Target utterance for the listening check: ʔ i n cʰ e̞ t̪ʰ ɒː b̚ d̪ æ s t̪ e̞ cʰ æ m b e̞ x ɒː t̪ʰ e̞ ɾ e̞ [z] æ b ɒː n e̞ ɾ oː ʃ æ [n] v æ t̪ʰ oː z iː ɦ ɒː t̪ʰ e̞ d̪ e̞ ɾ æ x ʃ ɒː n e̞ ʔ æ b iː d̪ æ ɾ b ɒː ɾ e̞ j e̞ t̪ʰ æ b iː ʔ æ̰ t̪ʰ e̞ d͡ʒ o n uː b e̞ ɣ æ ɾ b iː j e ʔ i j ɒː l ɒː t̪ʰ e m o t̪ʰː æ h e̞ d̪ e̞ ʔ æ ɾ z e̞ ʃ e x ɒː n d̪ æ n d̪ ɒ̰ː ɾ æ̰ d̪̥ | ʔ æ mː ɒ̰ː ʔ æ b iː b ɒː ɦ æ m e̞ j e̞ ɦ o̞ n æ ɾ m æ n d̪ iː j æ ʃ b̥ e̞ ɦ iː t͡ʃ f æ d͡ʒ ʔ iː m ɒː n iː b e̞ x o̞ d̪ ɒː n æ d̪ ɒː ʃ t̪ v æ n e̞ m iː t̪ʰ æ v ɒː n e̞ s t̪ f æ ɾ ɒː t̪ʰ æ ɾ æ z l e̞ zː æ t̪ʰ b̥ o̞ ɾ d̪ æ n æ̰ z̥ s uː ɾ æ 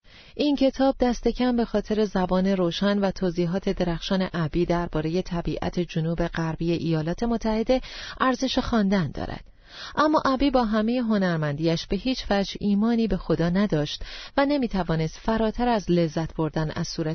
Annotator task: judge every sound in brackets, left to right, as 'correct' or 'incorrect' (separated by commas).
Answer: correct, correct